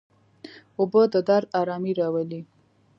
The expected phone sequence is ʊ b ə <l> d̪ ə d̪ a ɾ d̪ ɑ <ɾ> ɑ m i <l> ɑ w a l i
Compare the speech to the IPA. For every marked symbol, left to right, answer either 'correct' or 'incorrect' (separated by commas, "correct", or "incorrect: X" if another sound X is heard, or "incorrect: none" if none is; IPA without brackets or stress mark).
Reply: incorrect: none, correct, incorrect: ɾ